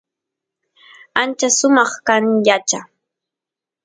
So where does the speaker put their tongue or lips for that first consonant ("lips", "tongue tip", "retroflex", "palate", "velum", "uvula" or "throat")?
tongue tip